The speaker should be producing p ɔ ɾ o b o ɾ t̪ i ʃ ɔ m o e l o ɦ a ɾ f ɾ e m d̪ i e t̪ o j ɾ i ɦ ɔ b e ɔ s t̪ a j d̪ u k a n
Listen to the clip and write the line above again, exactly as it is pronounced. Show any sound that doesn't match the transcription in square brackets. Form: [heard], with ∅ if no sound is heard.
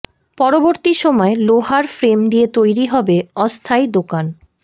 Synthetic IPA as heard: p ɔ ɾ o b o ɾ t̪ i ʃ ɔ m [ɔ] e l o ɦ a ɾ f ɾ e m d̪ i e t̪ o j ɾ i ɦ ɔ b e ɔ s [t̪ʰ] a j d̪ [o] k a n

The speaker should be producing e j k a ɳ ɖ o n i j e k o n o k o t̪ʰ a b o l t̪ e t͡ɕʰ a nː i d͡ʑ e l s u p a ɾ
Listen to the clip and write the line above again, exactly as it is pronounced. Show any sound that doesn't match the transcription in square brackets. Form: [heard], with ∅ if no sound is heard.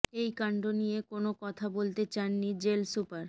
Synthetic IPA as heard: e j k a ɳ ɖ o n i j e k o n o k [ɔ] t̪ʰ a b o l t̪ e [t͡ɕ] a nː i d͡ʑ e l s u p a ɾ

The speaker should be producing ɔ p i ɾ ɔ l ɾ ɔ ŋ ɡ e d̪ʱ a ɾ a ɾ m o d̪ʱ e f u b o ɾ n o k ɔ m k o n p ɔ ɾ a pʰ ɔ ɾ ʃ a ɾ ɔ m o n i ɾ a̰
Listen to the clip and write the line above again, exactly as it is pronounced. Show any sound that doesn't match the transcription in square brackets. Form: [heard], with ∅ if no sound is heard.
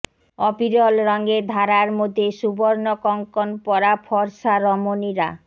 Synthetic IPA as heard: ɔ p i ɾ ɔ l ɾ ɔ ŋ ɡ e d̪ʱ a ɾ a ɾ m o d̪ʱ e [ʃ] u b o ɾ n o k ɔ [ŋ] k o n p ɔ ɾ a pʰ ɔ ɾ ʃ a ɾ ɔ m o n i ɾ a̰

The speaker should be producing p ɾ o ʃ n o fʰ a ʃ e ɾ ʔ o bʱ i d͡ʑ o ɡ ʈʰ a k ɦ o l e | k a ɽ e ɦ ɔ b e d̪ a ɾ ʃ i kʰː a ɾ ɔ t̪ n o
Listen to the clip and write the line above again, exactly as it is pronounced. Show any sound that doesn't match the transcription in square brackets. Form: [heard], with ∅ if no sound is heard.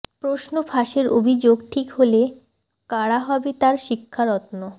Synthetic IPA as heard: p ɾ o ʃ n o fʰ a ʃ e ɾ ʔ o bʱ i d͡ʑ o ɡ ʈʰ [i] k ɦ o l e | k a ɽ [a] ɦ ɔ b e [t̪] a ɾ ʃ i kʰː a ɾ ɔ t̪ n o

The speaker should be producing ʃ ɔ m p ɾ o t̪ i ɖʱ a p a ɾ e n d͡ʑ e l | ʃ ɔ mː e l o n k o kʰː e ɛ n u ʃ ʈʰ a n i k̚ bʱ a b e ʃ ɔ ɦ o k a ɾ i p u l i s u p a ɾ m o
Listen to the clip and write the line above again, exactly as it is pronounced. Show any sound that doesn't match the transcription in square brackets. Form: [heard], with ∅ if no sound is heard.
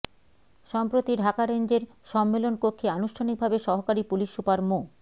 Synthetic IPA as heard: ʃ ɔ m p ɾ o t̪ i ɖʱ a [k] a ɾ e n d͡ʑ e [ɾ] | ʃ ɔ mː e l o n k o kʰː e [a] n u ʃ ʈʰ a n i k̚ bʱ a b e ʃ ɔ ɦ o k a ɾ i p u l i [ʃ] u p a ɾ m o

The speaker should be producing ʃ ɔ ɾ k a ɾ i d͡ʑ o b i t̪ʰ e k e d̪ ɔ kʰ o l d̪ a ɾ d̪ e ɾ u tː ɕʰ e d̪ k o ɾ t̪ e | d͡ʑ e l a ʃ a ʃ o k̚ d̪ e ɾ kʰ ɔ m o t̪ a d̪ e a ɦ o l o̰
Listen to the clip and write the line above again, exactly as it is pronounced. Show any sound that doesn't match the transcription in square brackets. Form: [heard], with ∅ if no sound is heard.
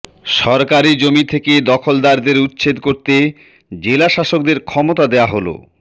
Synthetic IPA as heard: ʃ ɔ ɾ k a ɾ i d͡ʑ o [m] i t̪ʰ e k e d̪ ɔ kʰ o l d̪ a ɾ d̪ e ɾ u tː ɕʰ e d̪ k o ɾ t̪ e | d͡ʑ e l a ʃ a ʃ o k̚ d̪ e ɾ kʰ ɔ m o t̪ a d̪ e a ɦ o l o̰

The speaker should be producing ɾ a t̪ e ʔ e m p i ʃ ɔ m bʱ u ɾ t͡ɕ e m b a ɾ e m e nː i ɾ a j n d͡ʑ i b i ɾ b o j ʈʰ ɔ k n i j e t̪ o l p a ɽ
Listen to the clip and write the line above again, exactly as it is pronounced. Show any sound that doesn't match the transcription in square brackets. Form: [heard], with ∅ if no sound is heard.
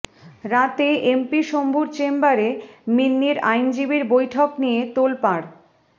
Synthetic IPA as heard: ɾ a t̪ e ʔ e m p i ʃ [o] m bʱ u ɾ t͡ɕ e m b a ɾ e m [i] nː i ɾ a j n d͡ʑ i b i ɾ b o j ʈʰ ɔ k n i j e t̪ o l p a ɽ

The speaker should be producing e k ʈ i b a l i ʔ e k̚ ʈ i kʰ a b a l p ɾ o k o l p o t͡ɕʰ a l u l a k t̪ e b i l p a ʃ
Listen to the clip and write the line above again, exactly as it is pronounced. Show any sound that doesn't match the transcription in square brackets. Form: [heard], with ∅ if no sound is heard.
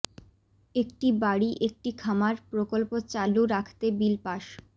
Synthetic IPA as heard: e k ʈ i b a [ɽ] i ʔ e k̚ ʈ i kʰ a [m] a [ɾ] p ɾ o k o l p o [t͡ɕ] a l u [ɾ] a [kʰ] t̪ e b i l p a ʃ

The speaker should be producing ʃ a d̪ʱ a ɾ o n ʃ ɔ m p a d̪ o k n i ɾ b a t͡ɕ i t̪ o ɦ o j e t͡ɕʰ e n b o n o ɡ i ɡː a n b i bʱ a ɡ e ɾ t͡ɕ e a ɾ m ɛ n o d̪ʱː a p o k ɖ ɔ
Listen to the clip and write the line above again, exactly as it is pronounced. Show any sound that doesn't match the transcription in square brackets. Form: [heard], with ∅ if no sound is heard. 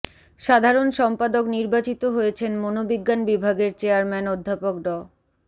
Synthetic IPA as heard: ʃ a d̪ʱ a ɾ o n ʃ ɔ m p a d̪ o k n i ɾ b a t͡ɕ i t̪ o ɦ o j e t͡ɕʰ e n [m] o n o [b] i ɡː a n b i bʱ a ɡ e ɾ t͡ɕ e a ɾ m ɛ n o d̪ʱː a p o k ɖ ɔ

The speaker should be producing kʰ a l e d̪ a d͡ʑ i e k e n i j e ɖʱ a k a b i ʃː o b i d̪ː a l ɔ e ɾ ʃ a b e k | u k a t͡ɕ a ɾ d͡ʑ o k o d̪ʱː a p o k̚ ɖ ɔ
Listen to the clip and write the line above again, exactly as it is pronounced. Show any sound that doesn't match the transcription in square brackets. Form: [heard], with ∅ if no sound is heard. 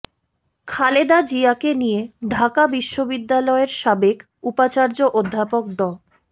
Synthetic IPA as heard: kʰ a l e d̪ a d͡ʑ i [a] k e n i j e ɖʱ a k a b i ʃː o b i d̪ː a l ɔ e ɾ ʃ a b e k | u [p] a t͡ɕ a ɾ d͡ʑ o [ʔ] o d̪ʱː a p o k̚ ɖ ɔ

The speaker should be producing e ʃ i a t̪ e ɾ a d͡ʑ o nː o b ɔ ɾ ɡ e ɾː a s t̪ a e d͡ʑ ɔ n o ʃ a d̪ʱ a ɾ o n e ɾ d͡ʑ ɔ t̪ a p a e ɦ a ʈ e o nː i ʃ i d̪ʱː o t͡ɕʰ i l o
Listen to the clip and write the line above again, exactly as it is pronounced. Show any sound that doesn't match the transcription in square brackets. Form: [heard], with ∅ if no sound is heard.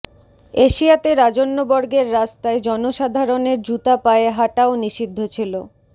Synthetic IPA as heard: e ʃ i a t̪ e ɾ a d͡ʑ o nː o b ɔ ɾ ɡ e ɾː a s t̪ a e d͡ʑ ɔ n o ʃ a d̪ʱ a ɾ o n e ɾ d͡ʑ [u] t̪ a p a e ɦ a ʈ [a] o [n] i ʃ i d̪ʱː o t͡ɕʰ i l o

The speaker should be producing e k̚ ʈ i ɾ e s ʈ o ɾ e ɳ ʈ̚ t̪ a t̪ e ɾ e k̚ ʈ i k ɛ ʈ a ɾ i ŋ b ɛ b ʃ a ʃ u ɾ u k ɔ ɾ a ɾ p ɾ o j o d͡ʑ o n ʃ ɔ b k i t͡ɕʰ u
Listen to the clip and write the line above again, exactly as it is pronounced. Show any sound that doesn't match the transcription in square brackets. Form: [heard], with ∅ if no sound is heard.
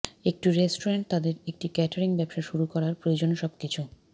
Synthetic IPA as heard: e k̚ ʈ i ɾ e s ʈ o ɾ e ɳ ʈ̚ t̪ a [d̪] e ɾ e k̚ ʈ i k ɛ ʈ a ɾ i ŋ b ɛ b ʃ a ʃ u ɾ u k ɔ ɾ a ɾ p ɾ o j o d͡ʑ o n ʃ ɔ b k i t͡ɕʰ u

